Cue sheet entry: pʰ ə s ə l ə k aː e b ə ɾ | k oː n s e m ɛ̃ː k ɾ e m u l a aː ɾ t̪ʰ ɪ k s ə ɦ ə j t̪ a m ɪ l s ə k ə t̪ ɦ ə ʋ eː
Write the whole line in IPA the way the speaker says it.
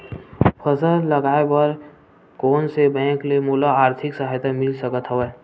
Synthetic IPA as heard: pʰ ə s ə l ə ɡ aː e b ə ɾ | k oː n s e b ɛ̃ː k l e m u l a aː ɾ t̪ʰ ɪ k s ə ɦ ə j t̪ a m ɪ l s ə k ə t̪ ɦ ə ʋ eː

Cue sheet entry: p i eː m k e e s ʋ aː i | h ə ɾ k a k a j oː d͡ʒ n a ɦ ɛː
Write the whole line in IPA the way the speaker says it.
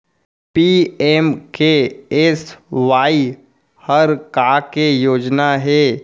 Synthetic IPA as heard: p i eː m k e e s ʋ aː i | h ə ɾ k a k e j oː d͡ʒ n a ɦ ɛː

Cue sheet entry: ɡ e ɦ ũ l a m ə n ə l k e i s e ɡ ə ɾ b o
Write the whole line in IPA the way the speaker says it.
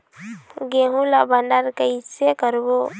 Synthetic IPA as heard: ɡ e ɦ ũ l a b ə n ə ɾ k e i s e k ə ɾ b o

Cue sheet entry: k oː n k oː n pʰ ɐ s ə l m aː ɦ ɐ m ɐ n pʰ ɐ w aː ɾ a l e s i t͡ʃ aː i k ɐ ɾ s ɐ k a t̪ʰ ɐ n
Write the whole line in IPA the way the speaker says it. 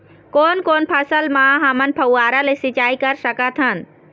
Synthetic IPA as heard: k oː n k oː n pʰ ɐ s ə l m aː ɦ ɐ m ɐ n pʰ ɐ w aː ɾ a l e s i t͡ʃ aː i k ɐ ɾ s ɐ k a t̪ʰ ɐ n

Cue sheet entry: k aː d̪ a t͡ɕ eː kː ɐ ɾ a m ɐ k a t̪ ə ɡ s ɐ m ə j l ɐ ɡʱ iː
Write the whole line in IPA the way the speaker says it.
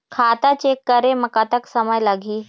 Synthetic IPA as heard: kʰ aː t̪ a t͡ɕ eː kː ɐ ɾ e m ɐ k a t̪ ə k s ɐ m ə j l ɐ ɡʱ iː

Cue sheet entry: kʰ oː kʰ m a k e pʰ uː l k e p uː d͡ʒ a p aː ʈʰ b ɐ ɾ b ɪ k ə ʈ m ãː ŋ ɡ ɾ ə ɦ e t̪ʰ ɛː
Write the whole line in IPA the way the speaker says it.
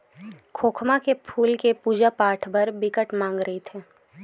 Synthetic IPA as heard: kʰ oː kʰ m a k e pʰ uː l k e p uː d͡ʒ a p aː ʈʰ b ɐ ɾ b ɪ k ə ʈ m ãː ŋ ɡ ɾ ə ɦ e t̪ʰ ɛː

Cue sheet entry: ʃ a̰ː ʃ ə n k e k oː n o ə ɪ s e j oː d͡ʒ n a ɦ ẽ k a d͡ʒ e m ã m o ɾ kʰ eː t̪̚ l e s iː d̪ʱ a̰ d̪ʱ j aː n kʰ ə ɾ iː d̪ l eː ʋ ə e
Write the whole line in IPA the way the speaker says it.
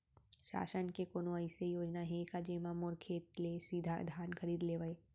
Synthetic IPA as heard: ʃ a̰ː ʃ ə n k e k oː n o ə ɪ s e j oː d͡ʒ n a ɦ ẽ k a d͡ʒ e m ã m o ɾ kʰ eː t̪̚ l e s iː d̪ʱ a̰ d̪ʱ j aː n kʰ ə ɾ iː d̪ l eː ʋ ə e

